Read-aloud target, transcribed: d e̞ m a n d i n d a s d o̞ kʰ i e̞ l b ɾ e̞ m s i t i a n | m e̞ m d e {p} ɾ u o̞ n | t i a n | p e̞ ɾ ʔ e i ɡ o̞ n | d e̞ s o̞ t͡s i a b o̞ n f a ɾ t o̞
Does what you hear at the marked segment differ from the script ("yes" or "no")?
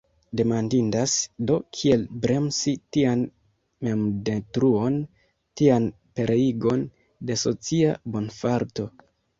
yes